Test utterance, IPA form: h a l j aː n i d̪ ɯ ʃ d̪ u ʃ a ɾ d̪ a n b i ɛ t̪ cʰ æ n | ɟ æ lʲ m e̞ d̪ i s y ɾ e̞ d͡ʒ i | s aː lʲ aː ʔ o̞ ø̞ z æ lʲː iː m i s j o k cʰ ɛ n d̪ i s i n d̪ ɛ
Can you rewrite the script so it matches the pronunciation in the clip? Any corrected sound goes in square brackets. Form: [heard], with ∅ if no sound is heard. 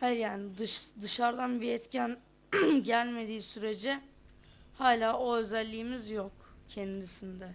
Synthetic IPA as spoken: h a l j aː n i d̪ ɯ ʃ d̪ [ɯ] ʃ a ɾ d̪ a n b i ɛ t̪ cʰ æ n | ɟ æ lʲ m e̞ d̪ [iː] s y ɾ e̞ d͡ʒ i | [h] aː lʲ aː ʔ o̞ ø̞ z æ lʲː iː m i [z] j o k cʰ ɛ n d̪ i s i n d̪ ɛ